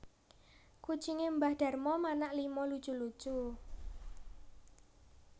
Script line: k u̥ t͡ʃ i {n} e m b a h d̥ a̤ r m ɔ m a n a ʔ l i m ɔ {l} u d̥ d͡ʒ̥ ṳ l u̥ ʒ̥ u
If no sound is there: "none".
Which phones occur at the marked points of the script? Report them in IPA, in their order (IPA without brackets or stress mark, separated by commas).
ŋ, l